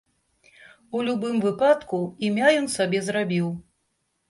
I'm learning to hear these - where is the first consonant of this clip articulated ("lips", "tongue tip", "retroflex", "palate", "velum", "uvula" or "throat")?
tongue tip